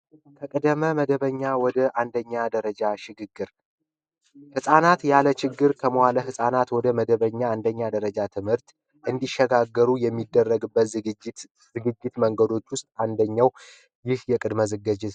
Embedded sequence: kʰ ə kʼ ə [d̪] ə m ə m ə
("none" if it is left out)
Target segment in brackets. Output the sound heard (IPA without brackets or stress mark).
d̪